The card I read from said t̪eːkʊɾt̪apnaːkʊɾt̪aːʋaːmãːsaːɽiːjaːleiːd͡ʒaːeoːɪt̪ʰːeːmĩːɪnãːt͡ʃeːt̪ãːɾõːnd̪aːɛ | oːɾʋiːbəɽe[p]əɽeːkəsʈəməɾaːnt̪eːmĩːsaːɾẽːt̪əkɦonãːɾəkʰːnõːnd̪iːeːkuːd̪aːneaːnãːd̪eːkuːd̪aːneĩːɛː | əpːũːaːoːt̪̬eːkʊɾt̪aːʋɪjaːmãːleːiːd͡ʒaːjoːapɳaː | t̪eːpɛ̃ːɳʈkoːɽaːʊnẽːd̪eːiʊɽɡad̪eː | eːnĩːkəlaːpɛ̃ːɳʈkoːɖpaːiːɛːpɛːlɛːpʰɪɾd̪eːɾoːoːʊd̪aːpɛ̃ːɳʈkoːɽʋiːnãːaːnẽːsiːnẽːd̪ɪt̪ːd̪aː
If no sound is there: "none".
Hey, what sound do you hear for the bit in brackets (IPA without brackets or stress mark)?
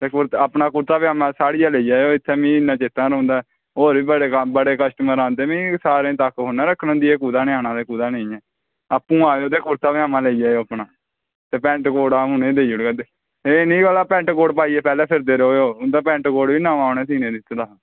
b